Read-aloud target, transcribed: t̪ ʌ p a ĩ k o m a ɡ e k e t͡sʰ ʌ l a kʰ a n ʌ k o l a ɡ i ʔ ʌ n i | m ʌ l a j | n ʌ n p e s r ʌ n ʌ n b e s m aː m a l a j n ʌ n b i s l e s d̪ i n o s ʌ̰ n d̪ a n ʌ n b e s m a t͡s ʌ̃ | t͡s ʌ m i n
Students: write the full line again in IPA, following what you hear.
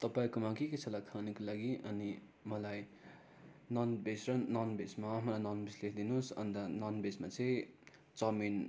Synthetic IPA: t̪ ʌ p a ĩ k o m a k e k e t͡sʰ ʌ l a kʰ a n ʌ k o l a ɡ i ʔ ʌ n i | m ʌ l a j | n ʌ n b e s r ʌ n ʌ n b e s m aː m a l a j n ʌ n b i s l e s d̪ i n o s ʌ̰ n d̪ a n ʌ n b e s m a t͡s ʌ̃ | t͡s ʌ m i n

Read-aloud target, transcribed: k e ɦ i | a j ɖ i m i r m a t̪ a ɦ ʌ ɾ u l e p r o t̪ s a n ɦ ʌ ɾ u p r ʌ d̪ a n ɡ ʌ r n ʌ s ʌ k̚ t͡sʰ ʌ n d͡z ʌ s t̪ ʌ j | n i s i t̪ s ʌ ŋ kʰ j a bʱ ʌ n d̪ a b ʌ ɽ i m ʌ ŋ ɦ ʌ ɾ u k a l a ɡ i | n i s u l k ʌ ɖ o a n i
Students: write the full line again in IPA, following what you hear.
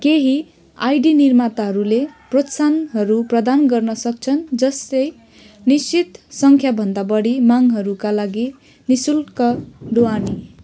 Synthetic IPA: k e ɦ i | a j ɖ i n i r m a t̪ a ɦ ʌ ɾ u l e p r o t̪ s a n ɦ ʌ ɾ u p r ʌ d̪ a n ɡ ʌ r n ʌ s ʌ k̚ t͡sʰ ʌ n d͡z ʌ s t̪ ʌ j | n i s i t̪ s ʌ ŋ kʰ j a bʱ ʌ n d̪ a b ʌ ɽ i m a ŋ ɦ ʌ ɾ u k a l a ɡ i | n i s u l k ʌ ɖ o a n i

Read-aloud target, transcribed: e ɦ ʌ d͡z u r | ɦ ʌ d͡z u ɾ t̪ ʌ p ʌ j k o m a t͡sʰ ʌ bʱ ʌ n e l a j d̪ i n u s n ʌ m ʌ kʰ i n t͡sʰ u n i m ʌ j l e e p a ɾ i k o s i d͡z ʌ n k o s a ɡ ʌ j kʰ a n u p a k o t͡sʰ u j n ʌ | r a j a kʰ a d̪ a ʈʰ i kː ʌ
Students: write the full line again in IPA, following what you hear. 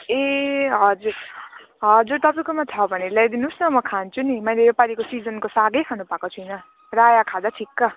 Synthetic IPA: e ɦ ʌ d͡z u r | ɦ ʌ d͡z u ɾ t̪ ʌ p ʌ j k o m a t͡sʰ ʌ bʱ ʌ n e l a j d̪ i n u s n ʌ m ʌ kʰ a n t͡sʰ u n i m ʌ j l e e p a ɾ i k o s i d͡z ʌ n k o s a ɡ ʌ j kʰ a n u p a k o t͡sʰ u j n ʌ | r a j a kʰ a d̪ a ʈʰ i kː ʌ

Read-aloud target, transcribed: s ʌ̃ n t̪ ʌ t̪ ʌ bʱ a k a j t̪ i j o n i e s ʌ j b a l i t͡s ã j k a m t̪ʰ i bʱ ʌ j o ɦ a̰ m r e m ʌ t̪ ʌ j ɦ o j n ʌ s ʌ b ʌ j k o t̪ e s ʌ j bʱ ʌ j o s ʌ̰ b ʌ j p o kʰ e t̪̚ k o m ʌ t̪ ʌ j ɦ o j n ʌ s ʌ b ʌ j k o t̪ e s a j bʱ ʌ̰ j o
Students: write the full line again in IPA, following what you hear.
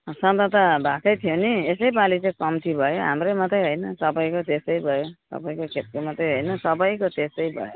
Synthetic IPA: s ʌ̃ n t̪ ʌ t̪ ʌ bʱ a k ʌ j t̪ʰ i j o n i e s ʌ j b a l i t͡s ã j k ʌ m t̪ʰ i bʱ ʌ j o ɦ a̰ m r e m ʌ t̪ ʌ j ɦ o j n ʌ s ʌ b ʌ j k o t̪ e s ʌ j bʱ ʌ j o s ʌ̰ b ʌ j k o kʰ e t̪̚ k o m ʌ t̪ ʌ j ɦ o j n ʌ s ʌ b ʌ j k o t̪ e s ʌ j bʱ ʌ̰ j o

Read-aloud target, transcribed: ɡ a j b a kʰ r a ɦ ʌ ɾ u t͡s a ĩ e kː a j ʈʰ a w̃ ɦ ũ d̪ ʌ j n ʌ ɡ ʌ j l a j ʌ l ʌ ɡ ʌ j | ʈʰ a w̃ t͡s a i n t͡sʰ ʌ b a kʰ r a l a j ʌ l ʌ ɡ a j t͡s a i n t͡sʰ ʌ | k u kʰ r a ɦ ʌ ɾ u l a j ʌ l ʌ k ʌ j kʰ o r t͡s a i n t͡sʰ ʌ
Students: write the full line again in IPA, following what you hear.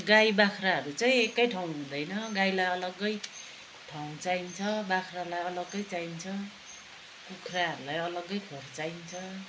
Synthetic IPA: ɡ a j b a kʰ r a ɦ ʌ ɾ u t͡s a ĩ e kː ʌ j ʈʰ a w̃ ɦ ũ d̪ ʌ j n ʌ ɡ a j l a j ʌ l ʌ ɡ ʌ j | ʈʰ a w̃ t͡s a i n t͡sʰ ʌ b a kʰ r a l a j ʌ l ʌ ɡ ʌ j t͡s a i n t͡sʰ ʌ | k u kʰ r a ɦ ʌ ɾ u l a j ʌ l ʌ ɡ ʌ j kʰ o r t͡s a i n t͡sʰ ʌ

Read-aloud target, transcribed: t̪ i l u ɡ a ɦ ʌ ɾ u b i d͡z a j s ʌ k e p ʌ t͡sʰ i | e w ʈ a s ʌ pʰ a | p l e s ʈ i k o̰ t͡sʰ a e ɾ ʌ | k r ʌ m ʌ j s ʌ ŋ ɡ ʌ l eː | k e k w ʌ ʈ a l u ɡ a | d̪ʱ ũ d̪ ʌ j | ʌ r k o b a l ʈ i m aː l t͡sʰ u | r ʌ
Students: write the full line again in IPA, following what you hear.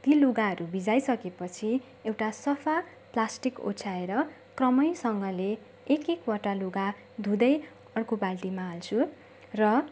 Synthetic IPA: t̪ i l u ɡ a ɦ ʌ ɾ u b i d͡z a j s ʌ k e p ʌ t͡sʰ i | e w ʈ a s ʌ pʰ a | p l a s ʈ i k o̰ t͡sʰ a e ɾ ʌ | k r ʌ m ʌ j s ʌ ŋ ɡ ʌ l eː | k e k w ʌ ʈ a l u ɡ a | d̪ʱ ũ d̪ ʌ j | ʌ r k o b a l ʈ i m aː l t͡sʰ u | r ʌ

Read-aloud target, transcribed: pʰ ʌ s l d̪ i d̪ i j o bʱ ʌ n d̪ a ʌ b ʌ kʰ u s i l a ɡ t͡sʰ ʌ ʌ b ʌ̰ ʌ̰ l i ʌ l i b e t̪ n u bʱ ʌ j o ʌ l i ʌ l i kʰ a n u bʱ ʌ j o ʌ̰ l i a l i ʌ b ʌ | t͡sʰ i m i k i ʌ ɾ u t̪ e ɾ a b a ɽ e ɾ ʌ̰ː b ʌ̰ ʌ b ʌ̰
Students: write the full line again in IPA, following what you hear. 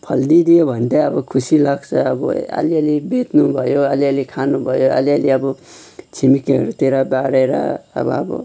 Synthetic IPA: pʰ ʌ l d̪ i d̪ i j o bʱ ʌ n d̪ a ʌ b ʌ kʰ u s i l a ɡ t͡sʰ ʌ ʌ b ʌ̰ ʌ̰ l i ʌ l i b e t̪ n u bʱ ʌ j o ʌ l i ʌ l i kʰ a n u bʱ ʌ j o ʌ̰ l i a l i ʌ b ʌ | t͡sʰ i m i k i ʌ ɾ u t̪ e ɾ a b a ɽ e ɾ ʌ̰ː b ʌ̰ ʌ b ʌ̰

